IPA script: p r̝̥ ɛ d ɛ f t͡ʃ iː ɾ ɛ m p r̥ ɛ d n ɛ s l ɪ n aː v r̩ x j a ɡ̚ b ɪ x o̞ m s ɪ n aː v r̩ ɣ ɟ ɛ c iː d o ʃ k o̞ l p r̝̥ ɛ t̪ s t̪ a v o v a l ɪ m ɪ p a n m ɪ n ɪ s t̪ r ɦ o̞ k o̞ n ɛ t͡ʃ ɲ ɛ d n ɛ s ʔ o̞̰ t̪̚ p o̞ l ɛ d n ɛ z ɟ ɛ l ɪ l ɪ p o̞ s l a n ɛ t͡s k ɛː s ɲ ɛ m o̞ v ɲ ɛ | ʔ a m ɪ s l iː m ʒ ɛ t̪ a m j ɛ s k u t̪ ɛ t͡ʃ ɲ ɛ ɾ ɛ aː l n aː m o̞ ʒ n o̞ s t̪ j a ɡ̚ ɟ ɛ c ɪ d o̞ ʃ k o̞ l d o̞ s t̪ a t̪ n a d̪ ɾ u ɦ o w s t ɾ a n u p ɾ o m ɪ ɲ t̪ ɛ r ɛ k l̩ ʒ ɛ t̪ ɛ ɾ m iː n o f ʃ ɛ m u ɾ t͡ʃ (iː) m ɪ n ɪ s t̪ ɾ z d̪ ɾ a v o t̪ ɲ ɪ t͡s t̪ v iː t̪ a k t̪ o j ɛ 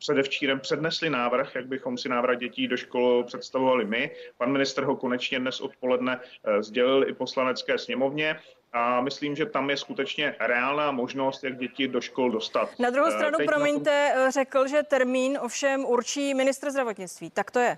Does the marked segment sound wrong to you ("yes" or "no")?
no